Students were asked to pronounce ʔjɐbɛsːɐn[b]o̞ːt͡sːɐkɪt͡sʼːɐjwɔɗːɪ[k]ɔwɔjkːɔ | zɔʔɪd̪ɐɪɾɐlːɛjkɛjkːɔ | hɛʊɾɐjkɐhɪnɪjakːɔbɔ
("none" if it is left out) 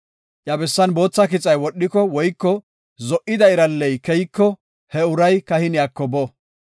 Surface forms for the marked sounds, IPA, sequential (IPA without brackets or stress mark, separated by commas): b, k